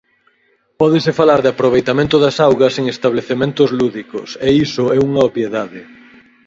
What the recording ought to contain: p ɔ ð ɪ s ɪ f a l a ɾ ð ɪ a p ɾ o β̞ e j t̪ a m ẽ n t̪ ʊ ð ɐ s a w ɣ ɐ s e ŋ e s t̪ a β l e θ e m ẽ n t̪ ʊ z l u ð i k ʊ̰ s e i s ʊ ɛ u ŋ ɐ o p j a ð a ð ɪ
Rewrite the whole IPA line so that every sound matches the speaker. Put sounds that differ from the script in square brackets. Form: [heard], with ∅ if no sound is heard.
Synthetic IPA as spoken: p ɔ ð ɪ s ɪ f a l a ɾ ð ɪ a p ɾ o β̞ e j t̪ a m ẽ n t̪ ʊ ð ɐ s a w ɣ ɐ s e ŋ e s t̪ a β l e θ e m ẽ n t̪ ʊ z l u ð i k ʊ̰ s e i s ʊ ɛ u ŋ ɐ o p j [e] ð a ð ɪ